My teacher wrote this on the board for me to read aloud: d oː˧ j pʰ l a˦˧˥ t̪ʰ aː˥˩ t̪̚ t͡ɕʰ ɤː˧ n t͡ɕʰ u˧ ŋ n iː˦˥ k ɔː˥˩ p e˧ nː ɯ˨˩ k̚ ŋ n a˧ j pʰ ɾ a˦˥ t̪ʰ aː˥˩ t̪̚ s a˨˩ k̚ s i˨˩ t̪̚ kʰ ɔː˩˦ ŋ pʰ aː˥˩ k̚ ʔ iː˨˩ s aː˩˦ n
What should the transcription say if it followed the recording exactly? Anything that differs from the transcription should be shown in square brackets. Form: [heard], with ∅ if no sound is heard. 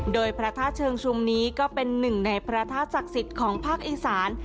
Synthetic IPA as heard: d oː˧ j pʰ [ɾ] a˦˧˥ t̪ʰ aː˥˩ t̪̚ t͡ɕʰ ɤː˧ [ŋ] t͡ɕʰ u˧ [m] n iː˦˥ k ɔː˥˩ p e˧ nː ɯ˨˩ [∅] ŋ n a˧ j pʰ ɾ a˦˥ t̪ʰ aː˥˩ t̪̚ s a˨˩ k̚ s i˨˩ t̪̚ kʰ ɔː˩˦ ŋ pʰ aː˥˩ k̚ ʔ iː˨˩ s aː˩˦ n